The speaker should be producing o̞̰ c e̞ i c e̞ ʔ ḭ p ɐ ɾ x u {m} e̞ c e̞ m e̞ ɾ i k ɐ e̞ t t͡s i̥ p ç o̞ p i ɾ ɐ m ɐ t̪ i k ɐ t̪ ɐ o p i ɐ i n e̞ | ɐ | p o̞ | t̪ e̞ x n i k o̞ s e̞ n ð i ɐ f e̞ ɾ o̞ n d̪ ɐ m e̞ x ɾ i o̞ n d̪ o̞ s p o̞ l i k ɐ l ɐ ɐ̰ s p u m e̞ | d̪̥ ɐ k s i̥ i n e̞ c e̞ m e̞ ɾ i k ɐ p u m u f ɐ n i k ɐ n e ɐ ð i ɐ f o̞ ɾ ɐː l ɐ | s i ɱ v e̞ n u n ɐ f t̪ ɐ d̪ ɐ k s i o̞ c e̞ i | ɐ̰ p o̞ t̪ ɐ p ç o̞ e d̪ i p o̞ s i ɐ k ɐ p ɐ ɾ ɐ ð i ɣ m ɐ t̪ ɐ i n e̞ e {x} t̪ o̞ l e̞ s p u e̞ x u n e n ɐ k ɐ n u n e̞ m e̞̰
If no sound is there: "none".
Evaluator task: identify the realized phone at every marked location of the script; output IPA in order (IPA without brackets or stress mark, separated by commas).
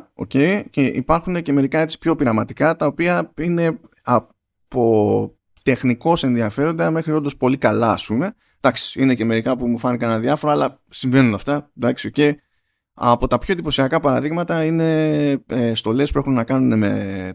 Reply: n, s